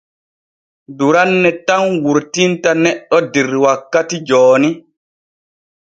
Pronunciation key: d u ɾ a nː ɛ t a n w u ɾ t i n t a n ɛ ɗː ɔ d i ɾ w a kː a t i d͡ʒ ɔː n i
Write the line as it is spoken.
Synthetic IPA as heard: d u ɾ a nː ɛ t a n w u ɾ t i n t a n ɛ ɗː ɔ d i ɾ w a kː a t i d͡ʒ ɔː n i